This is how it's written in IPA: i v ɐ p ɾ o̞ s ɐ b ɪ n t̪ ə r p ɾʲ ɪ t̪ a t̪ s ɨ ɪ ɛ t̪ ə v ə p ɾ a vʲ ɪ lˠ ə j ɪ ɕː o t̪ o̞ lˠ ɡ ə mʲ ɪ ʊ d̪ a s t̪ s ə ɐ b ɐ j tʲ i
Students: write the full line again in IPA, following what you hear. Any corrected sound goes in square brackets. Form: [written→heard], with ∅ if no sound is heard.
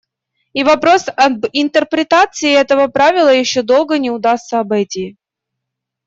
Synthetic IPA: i v ɐ p ɾ o̞ s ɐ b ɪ n t̪ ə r p ɾʲ ɪ t̪ a t̪ s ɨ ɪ ɛ t̪ ə v ə p ɾ a vʲ ɪ lˠ ə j ɪ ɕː o [t̪→d̪] o̞ lˠ ɡ ə [mʲ→nʲ] ɪ ʊ d̪ a s t̪ s ə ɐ b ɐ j tʲ i

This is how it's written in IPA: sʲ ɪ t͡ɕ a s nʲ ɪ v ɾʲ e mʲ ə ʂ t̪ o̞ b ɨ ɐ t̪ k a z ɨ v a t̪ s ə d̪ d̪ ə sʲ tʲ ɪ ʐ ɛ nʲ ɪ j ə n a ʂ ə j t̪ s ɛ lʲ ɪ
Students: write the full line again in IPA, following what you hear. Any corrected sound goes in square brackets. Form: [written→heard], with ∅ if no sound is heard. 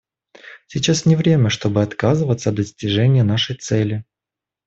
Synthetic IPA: sʲ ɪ t͡ɕ a s nʲ ɪ v ɾʲ e mʲ ə ʂ t̪ o̞ b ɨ ɐ t̪ k a z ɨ v [a→ə] t̪ s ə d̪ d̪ ə sʲ tʲ ɪ ʐ ɛ nʲ ɪ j ə n a ʂ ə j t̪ s ɛ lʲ ɪ

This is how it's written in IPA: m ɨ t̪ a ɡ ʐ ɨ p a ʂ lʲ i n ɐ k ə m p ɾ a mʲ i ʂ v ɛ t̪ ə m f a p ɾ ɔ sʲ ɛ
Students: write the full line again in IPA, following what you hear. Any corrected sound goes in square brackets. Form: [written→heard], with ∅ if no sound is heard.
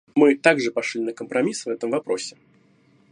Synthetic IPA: m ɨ t̪ a ɡ ʐ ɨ p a ʂ lʲ i n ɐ k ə m p ɾ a mʲ i [ʂ→s] v ɛ t̪ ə m [f→v] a p ɾ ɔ sʲ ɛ

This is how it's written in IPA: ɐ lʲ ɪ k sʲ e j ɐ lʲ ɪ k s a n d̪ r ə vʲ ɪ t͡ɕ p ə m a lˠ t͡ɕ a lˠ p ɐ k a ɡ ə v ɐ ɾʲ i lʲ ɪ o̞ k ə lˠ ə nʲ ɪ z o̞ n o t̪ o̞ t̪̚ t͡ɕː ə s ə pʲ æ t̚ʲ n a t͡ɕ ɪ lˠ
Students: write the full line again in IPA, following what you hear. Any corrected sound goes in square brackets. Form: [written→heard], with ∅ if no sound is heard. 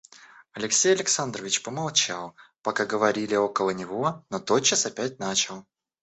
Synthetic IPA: ɐ lʲ ɪ k sʲ e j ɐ lʲ ɪ k s a n d̪ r ə vʲ ɪ t͡ɕ p ə m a lˠ t͡ɕ a lˠ p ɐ k a ɡ ə v ɐ ɾʲ i lʲ ɪ o̞ k ə lˠ ə nʲ ɪ [z→v] o̞ n o t̪ o̞ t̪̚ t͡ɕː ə s [ə→ɐ] pʲ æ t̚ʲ n a t͡ɕ ɪ lˠ

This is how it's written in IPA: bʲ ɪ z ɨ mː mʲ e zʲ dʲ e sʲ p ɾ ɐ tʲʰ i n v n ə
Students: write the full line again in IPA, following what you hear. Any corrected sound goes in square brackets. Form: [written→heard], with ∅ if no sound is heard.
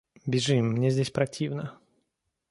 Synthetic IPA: bʲ ɪ [z→ʐ] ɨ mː [mʲ→nʲ] e zʲ dʲ e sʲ p ɾ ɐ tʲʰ i [n→∅] v n ə

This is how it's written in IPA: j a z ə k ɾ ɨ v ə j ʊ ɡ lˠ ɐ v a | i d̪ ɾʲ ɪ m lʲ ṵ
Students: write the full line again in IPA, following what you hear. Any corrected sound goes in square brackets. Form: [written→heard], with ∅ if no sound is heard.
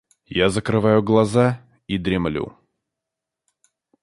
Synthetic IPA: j a z ə k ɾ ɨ v [ə→a] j ʊ ɡ lˠ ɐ [v→z] a | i d̪ ɾʲ ɪ m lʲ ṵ

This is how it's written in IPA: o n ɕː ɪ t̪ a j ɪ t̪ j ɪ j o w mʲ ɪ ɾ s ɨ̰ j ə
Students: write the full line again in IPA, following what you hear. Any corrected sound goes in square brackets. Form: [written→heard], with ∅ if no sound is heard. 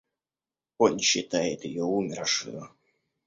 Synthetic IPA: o n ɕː ɪ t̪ a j ɪ t̪ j ɪ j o [w→u] mʲ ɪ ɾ [s→ʂ] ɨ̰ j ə

